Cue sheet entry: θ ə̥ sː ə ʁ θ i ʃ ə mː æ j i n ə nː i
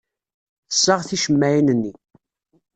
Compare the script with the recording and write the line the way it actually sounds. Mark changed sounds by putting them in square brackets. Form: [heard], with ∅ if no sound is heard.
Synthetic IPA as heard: θ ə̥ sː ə ʁ θ i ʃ ə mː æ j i n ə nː i